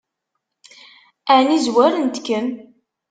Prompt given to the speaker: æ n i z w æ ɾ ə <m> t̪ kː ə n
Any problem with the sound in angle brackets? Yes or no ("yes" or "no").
yes